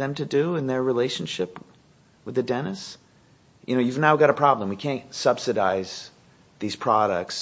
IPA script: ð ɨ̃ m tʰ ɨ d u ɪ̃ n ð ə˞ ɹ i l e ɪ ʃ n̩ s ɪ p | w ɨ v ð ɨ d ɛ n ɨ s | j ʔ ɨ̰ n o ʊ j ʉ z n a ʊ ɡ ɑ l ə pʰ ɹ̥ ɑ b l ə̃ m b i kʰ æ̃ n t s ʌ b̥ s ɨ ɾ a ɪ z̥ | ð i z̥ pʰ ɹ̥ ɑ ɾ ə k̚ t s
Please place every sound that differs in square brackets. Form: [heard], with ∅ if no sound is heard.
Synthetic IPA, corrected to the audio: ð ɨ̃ m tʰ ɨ d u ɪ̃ n ð ə˞ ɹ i l e ɪ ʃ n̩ [ʃ] ɪ p | w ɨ [∅] ð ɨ d ɛ n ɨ s | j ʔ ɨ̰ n o ʊ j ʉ [v] n a ʊ ɡ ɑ [ɾ] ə pʰ ɹ̥ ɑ b l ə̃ m [w] i kʰ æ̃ n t s ʌ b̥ s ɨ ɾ a ɪ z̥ | ð i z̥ pʰ ɹ̥ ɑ ɾ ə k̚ t s